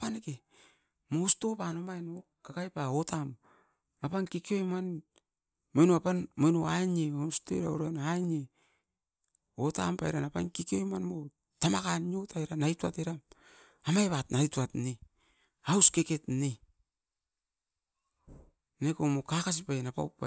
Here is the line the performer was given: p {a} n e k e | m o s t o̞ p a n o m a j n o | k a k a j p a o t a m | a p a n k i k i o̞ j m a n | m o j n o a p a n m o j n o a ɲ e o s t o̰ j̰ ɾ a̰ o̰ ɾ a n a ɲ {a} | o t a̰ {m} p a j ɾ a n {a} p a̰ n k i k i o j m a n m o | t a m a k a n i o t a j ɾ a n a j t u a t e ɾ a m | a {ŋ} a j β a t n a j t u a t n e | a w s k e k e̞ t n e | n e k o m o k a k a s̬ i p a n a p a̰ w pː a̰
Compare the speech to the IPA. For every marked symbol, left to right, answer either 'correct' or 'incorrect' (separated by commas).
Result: correct, incorrect, correct, correct, incorrect